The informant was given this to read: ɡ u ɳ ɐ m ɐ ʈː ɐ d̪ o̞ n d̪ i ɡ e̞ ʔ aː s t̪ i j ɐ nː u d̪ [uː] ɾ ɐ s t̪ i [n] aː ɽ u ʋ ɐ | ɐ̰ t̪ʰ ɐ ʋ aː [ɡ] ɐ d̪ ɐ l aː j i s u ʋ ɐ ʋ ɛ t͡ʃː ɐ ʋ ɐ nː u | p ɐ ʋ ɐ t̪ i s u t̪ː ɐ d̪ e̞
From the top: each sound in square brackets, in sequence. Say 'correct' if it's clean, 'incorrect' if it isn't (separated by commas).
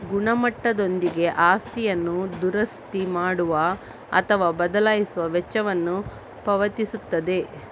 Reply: incorrect, incorrect, incorrect